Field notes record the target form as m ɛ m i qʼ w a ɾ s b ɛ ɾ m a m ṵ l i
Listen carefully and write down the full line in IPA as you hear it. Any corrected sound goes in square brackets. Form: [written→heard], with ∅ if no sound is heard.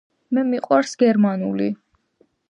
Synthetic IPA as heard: m ɛ m i qʼ w a ɾ s [b→ɡ] ɛ ɾ m a [m→n] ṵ l i